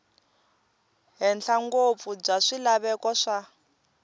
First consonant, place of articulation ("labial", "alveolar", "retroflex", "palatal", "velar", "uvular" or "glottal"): glottal